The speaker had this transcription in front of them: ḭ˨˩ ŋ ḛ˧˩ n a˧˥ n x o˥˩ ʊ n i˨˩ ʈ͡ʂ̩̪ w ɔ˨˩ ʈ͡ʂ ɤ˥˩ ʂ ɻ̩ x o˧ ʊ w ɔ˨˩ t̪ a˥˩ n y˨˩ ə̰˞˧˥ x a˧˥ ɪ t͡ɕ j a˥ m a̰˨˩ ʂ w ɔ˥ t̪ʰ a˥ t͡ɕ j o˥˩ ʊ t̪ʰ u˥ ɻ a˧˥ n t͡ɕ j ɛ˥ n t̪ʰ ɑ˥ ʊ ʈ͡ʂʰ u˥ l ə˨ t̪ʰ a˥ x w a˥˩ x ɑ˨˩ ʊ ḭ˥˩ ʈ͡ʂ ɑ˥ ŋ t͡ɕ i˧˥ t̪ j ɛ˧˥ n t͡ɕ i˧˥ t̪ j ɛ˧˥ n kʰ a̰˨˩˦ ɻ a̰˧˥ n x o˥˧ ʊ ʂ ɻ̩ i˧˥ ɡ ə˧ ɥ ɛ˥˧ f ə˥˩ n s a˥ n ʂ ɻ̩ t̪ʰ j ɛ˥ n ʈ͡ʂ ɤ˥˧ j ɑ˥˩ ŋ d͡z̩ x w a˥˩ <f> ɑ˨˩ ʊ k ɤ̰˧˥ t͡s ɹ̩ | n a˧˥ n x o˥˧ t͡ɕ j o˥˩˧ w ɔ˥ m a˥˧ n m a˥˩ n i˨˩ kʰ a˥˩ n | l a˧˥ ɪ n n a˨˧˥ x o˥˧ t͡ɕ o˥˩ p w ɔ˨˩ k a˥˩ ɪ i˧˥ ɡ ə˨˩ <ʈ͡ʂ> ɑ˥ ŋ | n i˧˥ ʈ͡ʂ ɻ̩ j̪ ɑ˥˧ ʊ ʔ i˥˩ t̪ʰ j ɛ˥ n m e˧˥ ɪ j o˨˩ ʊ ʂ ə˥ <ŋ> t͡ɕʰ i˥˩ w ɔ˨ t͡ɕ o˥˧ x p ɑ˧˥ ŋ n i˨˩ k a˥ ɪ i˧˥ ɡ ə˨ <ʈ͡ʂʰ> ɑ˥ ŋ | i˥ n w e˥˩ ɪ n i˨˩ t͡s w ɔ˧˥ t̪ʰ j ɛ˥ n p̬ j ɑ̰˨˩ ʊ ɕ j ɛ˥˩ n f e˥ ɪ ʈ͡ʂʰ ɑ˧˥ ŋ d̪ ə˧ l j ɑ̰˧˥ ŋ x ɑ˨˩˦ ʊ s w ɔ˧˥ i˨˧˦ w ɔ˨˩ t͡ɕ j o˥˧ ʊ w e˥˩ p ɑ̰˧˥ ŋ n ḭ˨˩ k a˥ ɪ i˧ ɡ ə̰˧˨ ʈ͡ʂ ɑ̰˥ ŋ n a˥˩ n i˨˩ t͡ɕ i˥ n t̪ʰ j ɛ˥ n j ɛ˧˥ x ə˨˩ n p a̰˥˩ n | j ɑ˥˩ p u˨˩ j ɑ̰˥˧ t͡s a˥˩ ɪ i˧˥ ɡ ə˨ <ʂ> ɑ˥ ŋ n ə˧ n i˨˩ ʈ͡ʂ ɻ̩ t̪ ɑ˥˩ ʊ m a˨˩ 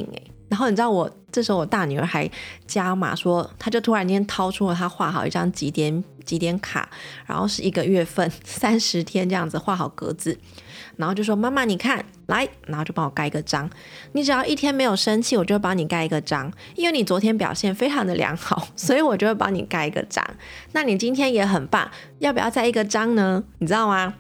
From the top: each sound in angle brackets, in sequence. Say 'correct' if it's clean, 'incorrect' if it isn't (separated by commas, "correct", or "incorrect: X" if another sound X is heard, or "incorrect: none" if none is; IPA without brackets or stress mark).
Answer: incorrect: x, correct, incorrect: n, incorrect: ʈ͡ʂ, incorrect: ʈ͡ʂ